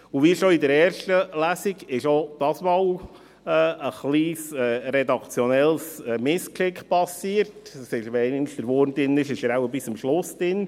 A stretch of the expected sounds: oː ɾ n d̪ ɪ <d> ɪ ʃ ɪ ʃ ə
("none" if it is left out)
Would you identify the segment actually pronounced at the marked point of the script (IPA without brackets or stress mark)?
n